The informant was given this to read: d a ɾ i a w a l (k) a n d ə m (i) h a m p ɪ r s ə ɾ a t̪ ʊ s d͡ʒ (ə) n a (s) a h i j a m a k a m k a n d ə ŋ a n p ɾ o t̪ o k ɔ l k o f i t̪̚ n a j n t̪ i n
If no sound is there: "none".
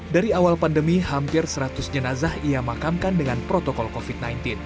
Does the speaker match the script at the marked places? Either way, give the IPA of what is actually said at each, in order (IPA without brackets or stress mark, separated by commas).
p, i, ə, z